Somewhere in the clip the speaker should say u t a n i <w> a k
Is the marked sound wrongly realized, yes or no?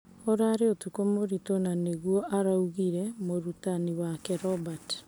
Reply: no